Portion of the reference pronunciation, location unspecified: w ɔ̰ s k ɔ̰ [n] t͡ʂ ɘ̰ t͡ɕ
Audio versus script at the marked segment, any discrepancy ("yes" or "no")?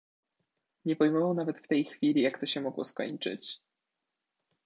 yes